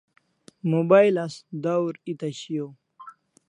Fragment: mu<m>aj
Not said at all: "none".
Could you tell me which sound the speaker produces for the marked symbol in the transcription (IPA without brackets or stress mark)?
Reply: b